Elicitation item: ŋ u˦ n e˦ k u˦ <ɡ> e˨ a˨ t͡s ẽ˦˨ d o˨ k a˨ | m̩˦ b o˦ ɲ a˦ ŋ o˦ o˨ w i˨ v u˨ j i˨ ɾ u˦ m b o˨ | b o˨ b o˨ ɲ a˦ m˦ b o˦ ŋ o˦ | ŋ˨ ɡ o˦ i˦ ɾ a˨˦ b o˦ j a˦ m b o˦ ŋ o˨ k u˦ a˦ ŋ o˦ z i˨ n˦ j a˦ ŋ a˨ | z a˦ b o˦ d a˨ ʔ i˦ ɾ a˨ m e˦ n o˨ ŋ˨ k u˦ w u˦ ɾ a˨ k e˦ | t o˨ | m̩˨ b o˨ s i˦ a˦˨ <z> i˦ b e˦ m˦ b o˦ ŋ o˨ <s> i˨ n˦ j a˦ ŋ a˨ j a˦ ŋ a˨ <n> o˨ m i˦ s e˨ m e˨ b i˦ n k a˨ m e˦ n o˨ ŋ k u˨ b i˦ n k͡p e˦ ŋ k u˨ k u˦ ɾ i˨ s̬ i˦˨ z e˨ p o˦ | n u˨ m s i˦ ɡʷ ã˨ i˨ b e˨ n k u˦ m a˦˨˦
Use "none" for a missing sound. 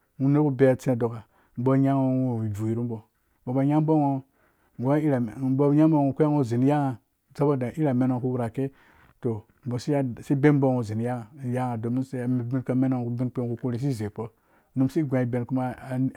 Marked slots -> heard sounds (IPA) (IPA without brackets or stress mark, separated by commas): b, s, z, d